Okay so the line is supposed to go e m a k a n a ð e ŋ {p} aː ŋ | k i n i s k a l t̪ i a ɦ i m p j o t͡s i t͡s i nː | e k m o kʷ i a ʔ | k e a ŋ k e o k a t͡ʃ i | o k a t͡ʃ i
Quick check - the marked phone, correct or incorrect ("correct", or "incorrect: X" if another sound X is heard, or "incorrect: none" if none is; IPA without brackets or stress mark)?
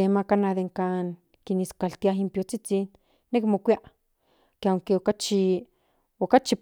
incorrect: k